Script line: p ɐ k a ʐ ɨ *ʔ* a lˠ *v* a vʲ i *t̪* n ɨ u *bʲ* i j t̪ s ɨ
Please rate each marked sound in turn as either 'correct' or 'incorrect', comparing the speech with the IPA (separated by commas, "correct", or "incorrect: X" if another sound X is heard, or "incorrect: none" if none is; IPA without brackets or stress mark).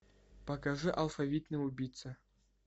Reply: correct, incorrect: f, correct, correct